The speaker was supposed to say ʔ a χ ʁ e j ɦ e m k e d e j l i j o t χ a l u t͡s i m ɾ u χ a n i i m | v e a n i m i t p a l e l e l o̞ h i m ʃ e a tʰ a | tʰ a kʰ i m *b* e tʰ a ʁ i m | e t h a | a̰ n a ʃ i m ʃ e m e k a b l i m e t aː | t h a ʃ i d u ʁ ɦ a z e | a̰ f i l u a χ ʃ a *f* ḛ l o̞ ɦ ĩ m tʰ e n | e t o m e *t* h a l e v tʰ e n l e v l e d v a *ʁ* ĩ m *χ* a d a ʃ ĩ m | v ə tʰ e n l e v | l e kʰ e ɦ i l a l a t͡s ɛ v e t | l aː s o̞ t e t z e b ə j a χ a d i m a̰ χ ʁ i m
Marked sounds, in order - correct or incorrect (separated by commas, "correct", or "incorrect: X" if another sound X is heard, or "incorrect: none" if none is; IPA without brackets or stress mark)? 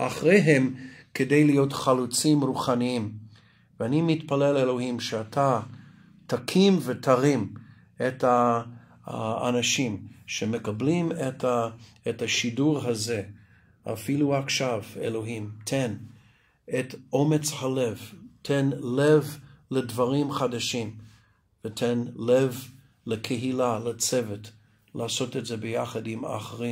incorrect: v, incorrect: v, incorrect: t͡s, correct, correct